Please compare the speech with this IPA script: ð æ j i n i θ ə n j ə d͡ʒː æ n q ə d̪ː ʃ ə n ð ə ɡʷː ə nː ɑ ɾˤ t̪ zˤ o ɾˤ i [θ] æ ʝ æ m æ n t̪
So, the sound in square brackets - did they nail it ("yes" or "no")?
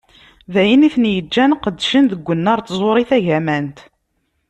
yes